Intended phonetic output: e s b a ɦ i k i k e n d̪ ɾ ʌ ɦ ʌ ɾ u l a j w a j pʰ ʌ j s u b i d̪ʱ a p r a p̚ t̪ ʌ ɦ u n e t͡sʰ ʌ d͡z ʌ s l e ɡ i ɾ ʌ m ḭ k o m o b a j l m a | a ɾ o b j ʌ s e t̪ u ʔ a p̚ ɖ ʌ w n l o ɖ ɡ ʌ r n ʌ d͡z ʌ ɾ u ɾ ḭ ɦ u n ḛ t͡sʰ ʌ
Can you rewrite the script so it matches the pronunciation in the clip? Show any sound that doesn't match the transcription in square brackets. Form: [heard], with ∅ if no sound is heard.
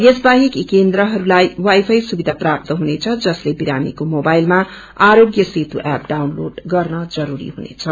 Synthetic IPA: e s b a ɦ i k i k e n d̪ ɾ ʌ ɦ ʌ ɾ u l a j w a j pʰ ʌ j s u b i d̪ʱ a p r a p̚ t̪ ʌ ɦ u n e t͡sʰ ʌ d͡z ʌ s l e [b] i ɾ [a] m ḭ k o m o b a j l m a | a ɾ o [ɡ] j ʌ s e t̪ u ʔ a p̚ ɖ [a] w n l o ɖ ɡ ʌ r n ʌ d͡z ʌ ɾ u ɾ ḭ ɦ u n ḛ t͡sʰ ʌ